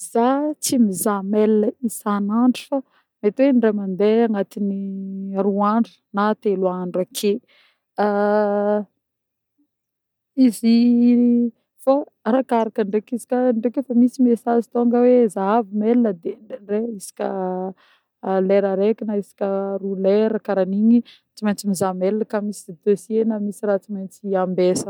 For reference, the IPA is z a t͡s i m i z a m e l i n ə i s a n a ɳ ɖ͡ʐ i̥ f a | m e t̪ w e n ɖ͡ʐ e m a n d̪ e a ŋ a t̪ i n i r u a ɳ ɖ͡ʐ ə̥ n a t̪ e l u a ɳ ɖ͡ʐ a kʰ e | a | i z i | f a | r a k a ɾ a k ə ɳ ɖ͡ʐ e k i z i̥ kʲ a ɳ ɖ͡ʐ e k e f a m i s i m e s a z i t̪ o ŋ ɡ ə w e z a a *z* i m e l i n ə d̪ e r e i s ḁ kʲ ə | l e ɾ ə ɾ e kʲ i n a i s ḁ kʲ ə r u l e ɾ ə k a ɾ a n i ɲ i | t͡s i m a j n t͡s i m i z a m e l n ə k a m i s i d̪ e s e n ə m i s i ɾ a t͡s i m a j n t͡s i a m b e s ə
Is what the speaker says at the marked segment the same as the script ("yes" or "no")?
no